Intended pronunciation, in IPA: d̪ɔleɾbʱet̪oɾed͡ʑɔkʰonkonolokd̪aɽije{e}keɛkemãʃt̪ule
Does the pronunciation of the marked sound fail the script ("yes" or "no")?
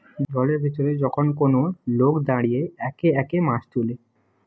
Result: yes